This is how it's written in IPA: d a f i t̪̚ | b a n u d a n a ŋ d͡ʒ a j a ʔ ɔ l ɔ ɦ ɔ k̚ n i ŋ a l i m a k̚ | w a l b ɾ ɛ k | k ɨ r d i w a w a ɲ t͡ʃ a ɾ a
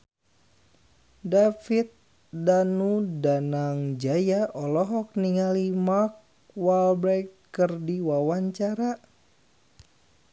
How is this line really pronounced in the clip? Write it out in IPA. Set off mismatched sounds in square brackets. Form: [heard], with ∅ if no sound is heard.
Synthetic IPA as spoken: d a f i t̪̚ | [d] a n u d a n a ŋ d͡ʒ a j a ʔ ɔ l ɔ ɦ ɔ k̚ n i ŋ a l i m a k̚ | w a l b ɾ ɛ k | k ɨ r d i w a w a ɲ t͡ʃ a ɾ a